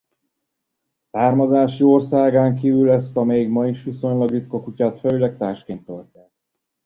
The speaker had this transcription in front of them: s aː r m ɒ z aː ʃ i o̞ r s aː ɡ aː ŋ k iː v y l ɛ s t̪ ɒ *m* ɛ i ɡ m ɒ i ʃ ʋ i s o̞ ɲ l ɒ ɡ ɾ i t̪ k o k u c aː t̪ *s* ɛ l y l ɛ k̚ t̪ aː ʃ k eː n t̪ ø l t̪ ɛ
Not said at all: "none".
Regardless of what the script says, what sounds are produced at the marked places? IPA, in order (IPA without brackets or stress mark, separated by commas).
m, f